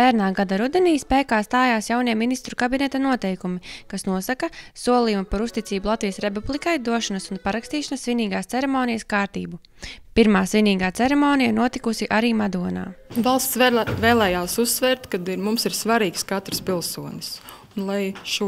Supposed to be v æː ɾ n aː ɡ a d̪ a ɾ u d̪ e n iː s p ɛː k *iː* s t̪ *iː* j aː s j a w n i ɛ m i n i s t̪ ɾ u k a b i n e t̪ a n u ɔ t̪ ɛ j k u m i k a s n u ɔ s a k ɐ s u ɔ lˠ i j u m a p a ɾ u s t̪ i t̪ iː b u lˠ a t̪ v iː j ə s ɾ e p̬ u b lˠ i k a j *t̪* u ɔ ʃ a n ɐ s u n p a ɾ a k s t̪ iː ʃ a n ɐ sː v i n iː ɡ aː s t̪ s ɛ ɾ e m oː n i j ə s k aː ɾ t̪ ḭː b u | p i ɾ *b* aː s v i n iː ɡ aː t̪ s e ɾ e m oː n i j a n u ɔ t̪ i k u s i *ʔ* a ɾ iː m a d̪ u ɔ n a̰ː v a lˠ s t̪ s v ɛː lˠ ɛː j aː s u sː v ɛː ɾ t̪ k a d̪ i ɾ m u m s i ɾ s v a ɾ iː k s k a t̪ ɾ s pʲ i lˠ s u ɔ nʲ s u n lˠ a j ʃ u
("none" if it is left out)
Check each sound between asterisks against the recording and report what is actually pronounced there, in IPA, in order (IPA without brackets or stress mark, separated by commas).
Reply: aː, aː, d̪, m, ʔ